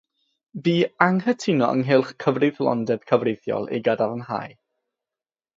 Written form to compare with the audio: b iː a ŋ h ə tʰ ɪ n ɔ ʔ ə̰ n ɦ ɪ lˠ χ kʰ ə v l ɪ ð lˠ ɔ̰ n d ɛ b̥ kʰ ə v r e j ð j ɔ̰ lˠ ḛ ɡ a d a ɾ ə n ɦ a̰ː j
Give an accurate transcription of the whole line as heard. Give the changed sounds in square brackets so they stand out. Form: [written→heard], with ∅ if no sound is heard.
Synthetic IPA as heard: b iː a ŋ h ə tʰ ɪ n ɔ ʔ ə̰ [n→ŋ] ɦ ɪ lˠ χ kʰ ə v [l→r] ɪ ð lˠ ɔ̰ n d ɛ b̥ kʰ ə v r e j [ð→θ] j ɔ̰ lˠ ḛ ɡ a d a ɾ ə n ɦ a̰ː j

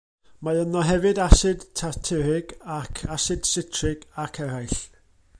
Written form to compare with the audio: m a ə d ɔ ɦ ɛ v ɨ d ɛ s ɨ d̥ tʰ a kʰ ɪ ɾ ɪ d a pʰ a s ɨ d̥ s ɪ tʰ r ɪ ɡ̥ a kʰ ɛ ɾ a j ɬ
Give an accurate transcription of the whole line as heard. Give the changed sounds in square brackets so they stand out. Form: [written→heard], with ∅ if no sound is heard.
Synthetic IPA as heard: m a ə [d→n] ɔ ɦ ɛ v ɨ d [ɛ→a] s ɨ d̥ tʰ a [kʰ→tʰ] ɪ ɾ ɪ [d→ɡ] a [pʰ→kʰ] a s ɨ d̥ s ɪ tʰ r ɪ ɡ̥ a kʰ ɛ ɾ a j ɬ

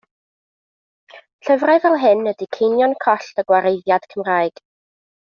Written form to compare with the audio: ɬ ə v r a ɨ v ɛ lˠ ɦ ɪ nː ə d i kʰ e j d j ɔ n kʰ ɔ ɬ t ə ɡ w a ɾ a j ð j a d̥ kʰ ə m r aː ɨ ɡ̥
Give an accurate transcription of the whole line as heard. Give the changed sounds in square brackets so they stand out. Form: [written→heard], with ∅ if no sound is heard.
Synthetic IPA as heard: ɬ ə v r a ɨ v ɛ lˠ ɦ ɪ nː ə d i kʰ e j [d→n] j ɔ n kʰ ɔ ɬ t ə ɡ w a ɾ [a→e] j ð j a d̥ kʰ ə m r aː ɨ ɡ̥

